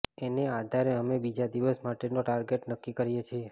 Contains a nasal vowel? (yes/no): no